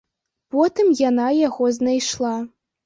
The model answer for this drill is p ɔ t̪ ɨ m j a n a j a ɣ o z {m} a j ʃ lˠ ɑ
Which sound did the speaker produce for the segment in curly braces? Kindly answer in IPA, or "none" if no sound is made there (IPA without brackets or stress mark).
n